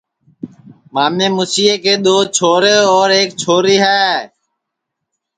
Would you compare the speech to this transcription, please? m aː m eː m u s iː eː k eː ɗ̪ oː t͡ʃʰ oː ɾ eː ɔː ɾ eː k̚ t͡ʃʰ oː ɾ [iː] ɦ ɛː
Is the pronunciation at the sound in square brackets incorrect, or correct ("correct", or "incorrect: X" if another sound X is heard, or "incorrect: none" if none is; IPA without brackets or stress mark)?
correct